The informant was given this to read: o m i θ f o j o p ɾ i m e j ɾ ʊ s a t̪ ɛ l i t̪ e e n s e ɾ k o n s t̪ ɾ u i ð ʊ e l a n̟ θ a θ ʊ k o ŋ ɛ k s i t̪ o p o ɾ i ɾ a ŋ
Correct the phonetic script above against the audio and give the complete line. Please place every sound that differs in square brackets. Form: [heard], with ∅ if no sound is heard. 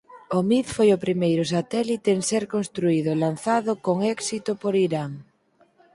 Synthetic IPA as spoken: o m i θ f o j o p ɾ i m e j ɾ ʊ s a t̪ ɛ l i t̪ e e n s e ɾ k o n s t̪ ɾ u i ð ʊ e l a n̟ θ a [ð] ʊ k o ŋ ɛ k s i t̪ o p o ɾ i ɾ a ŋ